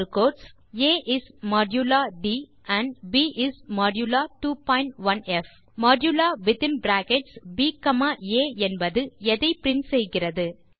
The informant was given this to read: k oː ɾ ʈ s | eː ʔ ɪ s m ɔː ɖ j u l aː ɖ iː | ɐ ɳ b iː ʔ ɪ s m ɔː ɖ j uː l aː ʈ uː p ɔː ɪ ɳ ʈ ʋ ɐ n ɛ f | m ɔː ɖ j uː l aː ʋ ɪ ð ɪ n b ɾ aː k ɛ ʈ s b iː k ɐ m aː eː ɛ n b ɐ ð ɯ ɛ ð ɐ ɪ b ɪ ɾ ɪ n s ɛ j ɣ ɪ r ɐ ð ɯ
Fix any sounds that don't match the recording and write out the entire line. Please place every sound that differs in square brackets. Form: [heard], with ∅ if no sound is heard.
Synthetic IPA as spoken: k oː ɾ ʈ s | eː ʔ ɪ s m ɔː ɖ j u l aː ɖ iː | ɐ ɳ b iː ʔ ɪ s m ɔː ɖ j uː l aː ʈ uː p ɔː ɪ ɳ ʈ ʋ ɐ n ɛ f | m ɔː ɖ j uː l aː ʋ ɪ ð ɪ n b ɾ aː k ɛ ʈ s b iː k ɐ m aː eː ɛ n b ɐ ð ɯ ɛ ð ɐ ɪ [p] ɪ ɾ ɪ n s ɛ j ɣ ɪ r ɐ ð ɯ